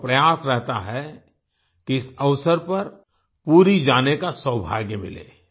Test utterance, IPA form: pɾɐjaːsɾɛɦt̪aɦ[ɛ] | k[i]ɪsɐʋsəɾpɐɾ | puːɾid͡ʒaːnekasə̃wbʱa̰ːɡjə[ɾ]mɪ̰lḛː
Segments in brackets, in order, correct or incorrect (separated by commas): correct, correct, incorrect